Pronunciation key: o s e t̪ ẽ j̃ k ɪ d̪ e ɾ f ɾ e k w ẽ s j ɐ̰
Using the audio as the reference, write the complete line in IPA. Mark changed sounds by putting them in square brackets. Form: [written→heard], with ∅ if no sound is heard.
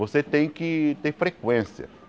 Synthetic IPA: o s e t̪ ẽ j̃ k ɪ [d̪→t̪] e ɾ f ɾ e k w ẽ s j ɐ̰